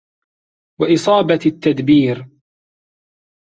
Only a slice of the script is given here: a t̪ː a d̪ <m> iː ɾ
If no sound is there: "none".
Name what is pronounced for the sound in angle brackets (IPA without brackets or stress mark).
b